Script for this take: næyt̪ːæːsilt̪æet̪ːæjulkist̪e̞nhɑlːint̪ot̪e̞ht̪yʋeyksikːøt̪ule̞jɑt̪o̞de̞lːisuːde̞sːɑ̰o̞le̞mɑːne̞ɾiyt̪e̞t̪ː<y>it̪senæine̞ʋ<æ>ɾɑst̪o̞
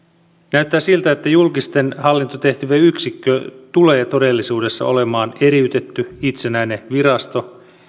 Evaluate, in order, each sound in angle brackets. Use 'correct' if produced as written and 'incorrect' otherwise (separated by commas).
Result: correct, incorrect